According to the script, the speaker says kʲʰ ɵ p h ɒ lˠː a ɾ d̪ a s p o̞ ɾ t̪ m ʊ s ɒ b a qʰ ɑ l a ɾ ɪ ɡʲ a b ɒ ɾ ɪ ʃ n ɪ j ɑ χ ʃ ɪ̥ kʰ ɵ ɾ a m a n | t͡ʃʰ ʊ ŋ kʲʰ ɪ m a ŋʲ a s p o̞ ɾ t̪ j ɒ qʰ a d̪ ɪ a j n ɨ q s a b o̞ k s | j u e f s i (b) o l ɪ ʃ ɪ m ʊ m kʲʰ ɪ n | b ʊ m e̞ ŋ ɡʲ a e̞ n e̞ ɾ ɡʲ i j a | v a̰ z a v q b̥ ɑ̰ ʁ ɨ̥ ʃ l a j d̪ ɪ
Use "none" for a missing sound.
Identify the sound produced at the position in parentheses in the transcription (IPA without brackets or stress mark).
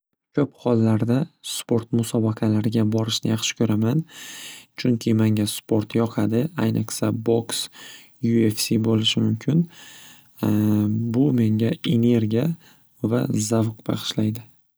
b